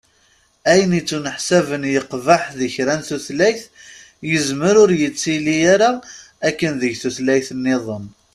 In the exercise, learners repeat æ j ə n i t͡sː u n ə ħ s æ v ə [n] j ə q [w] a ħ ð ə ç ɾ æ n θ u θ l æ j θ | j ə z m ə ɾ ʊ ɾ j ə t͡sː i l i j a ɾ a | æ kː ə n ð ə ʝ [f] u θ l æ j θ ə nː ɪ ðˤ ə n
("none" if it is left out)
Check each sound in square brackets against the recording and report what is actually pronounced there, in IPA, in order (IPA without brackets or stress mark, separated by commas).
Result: n, v, θ